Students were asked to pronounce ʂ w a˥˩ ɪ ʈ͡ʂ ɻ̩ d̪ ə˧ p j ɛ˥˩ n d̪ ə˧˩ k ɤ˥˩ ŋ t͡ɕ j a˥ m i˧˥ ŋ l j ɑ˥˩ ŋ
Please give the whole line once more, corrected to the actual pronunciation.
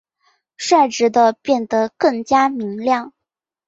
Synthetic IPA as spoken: ʂ w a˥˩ ɪ ʈ͡ʂ ɻ̩ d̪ ə˧ p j ɛ˥˩ n d̪ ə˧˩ k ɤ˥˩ ŋ t͡ɕ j a˥ m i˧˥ ŋ l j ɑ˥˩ ŋ